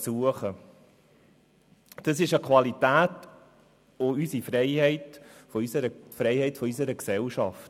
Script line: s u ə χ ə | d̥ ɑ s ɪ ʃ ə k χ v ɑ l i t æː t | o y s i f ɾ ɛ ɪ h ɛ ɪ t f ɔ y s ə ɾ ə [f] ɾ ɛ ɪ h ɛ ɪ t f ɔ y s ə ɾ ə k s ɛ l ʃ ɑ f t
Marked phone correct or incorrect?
correct